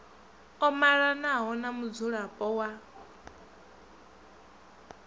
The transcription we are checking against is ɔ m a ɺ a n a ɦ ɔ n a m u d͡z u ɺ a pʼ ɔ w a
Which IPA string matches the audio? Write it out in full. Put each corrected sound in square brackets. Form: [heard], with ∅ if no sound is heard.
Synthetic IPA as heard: ɔ m a ɺ a n a ɦ ɔ n a m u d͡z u ɺ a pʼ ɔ w a